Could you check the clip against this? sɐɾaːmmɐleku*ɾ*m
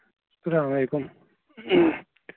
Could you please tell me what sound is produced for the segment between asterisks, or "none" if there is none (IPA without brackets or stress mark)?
none